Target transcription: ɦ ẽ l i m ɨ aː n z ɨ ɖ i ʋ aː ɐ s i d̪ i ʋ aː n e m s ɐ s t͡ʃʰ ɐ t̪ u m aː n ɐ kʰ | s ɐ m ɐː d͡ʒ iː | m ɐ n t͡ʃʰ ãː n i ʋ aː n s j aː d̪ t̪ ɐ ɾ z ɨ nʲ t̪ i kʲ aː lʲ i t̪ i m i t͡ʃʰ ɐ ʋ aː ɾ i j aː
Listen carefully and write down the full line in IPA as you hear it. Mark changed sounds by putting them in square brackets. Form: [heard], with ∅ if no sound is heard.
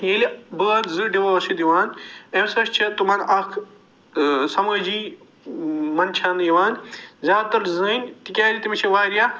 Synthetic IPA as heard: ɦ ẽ l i [b] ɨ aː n z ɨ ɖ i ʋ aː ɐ s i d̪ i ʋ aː n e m s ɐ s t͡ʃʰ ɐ t̪ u m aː n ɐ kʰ | s ɐ m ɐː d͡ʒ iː | m ɐ n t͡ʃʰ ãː n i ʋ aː n [z] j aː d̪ t̪ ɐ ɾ z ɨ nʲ t̪ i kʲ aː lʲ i t̪ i m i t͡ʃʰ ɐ ʋ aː ɾ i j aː